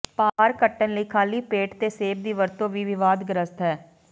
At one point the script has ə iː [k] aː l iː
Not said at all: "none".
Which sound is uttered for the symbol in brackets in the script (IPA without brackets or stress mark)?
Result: kʰ